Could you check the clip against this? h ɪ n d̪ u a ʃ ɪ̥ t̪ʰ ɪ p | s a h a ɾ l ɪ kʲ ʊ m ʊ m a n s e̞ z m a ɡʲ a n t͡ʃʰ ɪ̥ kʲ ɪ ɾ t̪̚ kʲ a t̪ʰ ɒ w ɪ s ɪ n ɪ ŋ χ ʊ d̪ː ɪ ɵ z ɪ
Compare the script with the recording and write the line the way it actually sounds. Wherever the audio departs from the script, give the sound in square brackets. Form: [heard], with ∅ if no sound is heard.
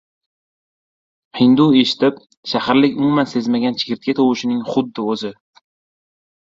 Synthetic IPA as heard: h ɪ n d̪ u [e] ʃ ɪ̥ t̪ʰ ɪ p | [ʃ] a h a ɾ l ɪ kʲ ʊ m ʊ m a n s e̞ z m a ɡʲ a n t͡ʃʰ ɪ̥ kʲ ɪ ɾ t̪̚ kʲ a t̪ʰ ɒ w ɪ [ʃ] ɪ n ɪ ŋ χ ʊ d̪ː ɪ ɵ z ɪ